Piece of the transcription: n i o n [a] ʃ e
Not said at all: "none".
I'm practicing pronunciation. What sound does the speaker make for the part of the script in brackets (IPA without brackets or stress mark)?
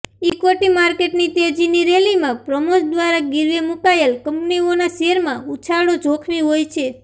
a